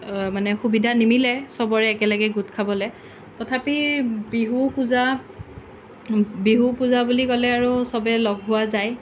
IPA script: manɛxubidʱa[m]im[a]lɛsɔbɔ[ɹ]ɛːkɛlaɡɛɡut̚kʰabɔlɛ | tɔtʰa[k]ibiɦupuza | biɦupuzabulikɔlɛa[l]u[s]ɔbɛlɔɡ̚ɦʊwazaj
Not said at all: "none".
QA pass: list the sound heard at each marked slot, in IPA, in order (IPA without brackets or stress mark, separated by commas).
n, i, ɹ, p, ɹ, s